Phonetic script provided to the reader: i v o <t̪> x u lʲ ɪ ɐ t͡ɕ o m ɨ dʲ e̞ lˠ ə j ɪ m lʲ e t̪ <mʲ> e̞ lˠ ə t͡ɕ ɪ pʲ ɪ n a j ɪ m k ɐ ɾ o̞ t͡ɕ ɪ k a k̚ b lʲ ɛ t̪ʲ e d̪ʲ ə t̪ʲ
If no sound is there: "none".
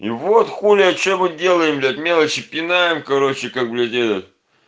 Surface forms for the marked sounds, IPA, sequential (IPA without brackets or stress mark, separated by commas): t̪, mʲ